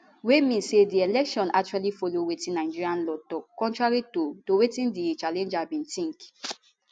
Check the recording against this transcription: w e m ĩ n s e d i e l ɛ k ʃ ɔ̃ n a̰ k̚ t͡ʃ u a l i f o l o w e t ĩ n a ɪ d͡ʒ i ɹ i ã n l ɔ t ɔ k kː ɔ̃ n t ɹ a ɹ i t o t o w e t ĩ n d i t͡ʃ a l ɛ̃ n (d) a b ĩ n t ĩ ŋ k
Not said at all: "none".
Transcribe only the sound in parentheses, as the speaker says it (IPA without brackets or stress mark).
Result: d͡ʒ